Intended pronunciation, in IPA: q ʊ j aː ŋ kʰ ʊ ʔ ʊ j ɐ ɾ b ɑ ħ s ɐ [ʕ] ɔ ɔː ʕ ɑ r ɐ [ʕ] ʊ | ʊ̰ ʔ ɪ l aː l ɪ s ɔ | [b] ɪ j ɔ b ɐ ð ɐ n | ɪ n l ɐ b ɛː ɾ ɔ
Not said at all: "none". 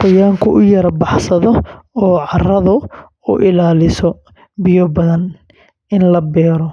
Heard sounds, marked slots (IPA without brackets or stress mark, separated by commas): ð, ð, b